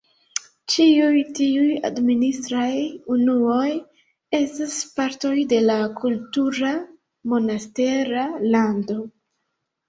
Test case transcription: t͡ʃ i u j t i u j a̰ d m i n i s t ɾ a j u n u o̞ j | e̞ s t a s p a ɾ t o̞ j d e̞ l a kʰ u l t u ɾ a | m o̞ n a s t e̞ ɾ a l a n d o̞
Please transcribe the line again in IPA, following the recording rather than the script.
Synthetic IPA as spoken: t͡ʃ i u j t i u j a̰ d m i n i s t ɾ a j u n u o̞ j | e̞ s t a s p a ɾ t o̞ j d e̞ l a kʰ u l t u ɾ a | m o̞ n a s t e̞ ɾ a l a n d o̞